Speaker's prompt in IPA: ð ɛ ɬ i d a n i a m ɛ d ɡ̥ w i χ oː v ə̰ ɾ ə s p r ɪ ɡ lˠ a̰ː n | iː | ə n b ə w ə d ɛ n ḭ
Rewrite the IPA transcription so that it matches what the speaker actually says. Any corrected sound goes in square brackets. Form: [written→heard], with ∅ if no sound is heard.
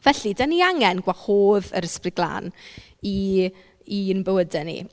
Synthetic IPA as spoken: [ð→v] ɛ ɬ i d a n i a [m→ŋ] ɛ [d→n] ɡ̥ w [i→a] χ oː [v→ð] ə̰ ɾ ə s p r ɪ ɡ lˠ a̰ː n | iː | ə n b ə w ə d ɛ n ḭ